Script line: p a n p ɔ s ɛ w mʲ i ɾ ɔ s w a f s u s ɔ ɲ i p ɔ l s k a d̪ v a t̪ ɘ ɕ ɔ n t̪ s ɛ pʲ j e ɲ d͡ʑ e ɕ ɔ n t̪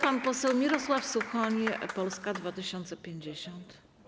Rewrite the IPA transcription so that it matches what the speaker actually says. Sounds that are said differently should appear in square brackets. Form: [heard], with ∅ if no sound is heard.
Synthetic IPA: p a n p ɔ s ɛ w mʲ i ɾ ɔ s w a f s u [x] ɔ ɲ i p ɔ l s k a d̪ v a t̪ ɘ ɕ ɔ n t̪ s ɛ pʲ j e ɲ d͡ʑ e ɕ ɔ n t̪